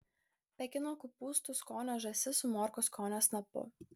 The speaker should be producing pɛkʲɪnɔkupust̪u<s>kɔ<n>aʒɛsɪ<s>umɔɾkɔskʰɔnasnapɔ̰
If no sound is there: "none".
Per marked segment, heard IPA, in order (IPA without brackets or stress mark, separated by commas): s, n, s